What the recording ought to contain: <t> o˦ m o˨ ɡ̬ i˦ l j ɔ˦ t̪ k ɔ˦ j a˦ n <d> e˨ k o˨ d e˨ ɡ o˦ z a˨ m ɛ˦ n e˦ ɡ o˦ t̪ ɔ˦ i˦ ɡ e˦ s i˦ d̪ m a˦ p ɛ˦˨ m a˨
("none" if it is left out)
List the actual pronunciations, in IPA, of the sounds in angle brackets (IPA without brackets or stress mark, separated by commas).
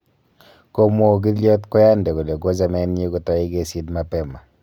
k, d